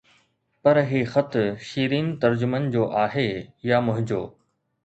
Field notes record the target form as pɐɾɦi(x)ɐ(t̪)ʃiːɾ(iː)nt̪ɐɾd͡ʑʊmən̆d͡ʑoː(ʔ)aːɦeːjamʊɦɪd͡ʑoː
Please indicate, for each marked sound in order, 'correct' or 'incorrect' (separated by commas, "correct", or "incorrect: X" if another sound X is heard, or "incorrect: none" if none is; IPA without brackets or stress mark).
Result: correct, correct, correct, correct